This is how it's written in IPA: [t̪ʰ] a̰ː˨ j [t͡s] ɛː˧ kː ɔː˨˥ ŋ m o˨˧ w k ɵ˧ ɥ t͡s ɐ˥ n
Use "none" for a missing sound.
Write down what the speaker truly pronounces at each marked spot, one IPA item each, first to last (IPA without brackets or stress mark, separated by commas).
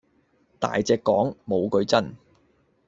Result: t̪, t͡s